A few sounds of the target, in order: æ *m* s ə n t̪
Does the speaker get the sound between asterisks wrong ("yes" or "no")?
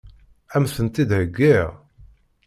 no